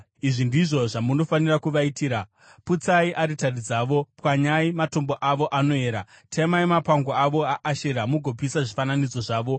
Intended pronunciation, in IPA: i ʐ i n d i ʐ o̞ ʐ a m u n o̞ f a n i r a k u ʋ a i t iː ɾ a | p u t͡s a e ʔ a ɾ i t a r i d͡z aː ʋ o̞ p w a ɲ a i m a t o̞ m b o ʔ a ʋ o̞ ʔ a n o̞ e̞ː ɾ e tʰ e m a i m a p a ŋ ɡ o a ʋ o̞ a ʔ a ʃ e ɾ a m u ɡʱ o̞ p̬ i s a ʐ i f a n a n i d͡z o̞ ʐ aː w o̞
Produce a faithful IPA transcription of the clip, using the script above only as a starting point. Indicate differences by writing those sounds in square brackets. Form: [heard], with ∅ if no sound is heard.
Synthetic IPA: i ʐ i n d i ʐ o̞ ʐ a m u n o̞ f a n i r a k u ʋ a i t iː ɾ a | p u t͡s a [i] ʔ a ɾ i t a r i d͡z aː ʋ o̞ p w a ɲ a i m a t o̞ m b o ʔ a ʋ o̞ ʔ a n o̞ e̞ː ɾ [a] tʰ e m a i m a p a ŋ ɡ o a ʋ o̞ a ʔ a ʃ e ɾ a m u ɡʱ o̞ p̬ i s a ʐ i f a n a n i d͡z o̞ ʐ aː [ʋ] o̞